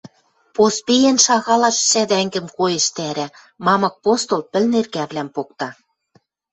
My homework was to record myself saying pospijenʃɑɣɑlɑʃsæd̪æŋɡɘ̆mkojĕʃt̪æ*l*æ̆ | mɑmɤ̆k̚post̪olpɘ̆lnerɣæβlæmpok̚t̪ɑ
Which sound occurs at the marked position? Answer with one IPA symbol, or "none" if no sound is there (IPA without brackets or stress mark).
ɾ